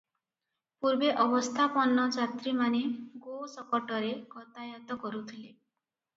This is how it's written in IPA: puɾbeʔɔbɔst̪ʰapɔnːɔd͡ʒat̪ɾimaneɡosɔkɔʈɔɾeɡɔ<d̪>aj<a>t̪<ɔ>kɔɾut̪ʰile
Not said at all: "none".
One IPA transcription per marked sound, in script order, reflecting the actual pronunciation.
t̪, a, ɔ

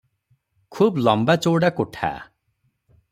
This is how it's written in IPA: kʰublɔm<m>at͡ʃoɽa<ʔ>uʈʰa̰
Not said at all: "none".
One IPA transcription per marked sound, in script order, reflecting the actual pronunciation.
b, k

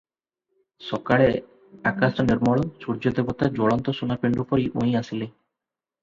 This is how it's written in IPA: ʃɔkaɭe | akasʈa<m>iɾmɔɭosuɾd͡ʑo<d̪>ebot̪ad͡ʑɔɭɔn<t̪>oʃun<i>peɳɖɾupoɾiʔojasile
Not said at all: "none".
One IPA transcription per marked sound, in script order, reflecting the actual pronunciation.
n, d̪, t̪, a

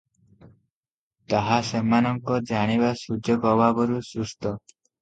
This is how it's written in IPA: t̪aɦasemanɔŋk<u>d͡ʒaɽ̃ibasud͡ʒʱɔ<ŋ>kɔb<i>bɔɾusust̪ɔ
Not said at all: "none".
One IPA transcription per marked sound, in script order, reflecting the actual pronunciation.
ɔ, none, a

